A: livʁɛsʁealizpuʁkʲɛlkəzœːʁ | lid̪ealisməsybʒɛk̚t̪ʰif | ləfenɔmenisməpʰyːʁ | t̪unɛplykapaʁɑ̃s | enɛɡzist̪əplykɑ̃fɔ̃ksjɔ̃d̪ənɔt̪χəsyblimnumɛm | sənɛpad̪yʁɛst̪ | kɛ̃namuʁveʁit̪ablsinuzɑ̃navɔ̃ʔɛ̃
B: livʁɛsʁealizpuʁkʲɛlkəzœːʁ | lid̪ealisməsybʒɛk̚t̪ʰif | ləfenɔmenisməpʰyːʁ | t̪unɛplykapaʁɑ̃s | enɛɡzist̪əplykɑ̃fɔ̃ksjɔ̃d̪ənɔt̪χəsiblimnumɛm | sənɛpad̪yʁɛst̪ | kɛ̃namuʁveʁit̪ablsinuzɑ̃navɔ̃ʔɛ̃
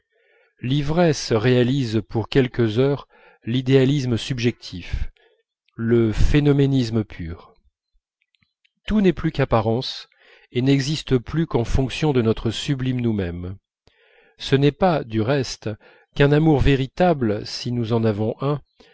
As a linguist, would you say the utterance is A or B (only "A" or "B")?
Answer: A